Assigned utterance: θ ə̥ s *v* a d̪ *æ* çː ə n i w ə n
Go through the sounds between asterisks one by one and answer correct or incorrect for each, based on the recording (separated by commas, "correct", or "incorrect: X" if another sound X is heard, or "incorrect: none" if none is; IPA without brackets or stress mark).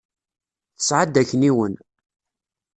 incorrect: ʕ, correct